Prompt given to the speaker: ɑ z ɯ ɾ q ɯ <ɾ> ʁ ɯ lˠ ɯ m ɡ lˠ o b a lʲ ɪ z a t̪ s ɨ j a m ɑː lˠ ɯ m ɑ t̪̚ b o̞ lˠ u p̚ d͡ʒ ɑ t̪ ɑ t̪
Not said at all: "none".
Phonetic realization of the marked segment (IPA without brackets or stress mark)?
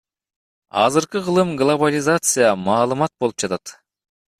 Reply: none